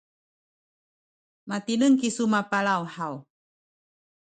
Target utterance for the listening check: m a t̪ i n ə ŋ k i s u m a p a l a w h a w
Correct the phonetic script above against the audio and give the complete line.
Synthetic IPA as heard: m a t̪ i n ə ŋ k i s u m a p a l a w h a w

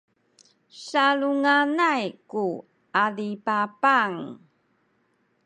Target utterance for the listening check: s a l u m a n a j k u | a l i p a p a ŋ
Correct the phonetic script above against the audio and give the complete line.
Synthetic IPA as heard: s a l u ŋ a n a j k u | a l i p a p a ŋ

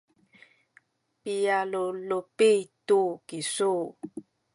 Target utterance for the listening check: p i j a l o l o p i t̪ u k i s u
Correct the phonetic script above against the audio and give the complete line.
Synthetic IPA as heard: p i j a l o l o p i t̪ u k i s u

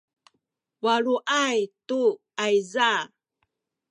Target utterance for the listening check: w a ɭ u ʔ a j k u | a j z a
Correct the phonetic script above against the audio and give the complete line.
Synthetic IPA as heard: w a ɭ u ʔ a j t u | a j z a

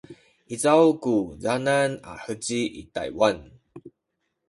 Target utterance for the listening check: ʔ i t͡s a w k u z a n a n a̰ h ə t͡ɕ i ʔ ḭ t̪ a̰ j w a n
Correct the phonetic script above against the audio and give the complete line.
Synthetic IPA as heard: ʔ i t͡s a w k u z a n a n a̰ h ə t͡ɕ i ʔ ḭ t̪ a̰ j w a n

